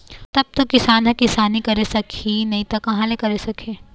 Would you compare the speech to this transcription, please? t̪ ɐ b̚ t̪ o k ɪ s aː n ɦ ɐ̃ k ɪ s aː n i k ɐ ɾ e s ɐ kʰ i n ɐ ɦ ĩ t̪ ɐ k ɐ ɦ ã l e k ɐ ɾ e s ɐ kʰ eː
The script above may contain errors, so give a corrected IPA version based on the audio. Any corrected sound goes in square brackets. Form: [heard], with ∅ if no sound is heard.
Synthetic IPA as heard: t̪ ɐ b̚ t̪ o k ɪ s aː n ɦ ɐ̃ k ɪ s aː n i k ɐ ɾ e s ɐ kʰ i n ɐ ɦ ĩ t̪ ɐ k ɐ ɦ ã l e k ɐ ɾ e s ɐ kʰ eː